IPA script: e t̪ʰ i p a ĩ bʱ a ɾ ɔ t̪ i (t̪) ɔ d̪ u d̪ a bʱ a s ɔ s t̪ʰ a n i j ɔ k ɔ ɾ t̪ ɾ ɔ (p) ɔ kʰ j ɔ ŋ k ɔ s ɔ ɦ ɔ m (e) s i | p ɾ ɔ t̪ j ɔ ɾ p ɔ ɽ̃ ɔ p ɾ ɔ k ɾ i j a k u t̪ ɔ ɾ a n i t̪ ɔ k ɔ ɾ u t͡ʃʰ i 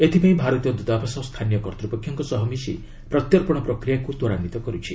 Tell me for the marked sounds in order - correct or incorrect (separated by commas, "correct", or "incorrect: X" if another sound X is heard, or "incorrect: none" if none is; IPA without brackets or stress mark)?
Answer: incorrect: none, correct, incorrect: i